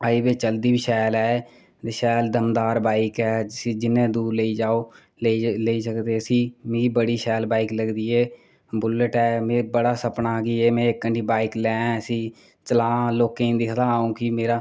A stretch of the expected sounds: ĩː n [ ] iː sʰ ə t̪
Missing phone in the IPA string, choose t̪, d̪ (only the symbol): d̪